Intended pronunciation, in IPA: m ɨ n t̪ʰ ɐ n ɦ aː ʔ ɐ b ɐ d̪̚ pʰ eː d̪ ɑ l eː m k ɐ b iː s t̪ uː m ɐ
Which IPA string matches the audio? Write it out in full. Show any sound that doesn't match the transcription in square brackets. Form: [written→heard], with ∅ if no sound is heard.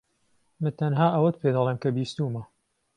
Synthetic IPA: m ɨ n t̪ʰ ɐ n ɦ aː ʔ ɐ [b→w] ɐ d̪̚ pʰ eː d̪ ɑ l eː m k ɐ b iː s t̪ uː m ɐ